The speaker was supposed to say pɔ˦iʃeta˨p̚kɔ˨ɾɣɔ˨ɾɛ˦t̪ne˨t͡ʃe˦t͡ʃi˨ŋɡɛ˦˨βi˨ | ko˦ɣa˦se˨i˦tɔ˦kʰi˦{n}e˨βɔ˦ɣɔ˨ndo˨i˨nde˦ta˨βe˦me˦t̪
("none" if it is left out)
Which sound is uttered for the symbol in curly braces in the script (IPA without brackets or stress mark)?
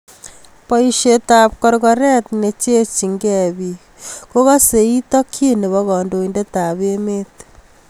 n